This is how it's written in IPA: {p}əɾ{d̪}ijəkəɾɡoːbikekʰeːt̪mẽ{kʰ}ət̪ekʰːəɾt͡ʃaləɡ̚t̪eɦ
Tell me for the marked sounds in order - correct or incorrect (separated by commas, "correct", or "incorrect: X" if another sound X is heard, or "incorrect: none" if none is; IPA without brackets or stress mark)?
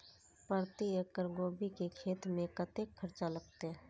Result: correct, incorrect: t̪, incorrect: k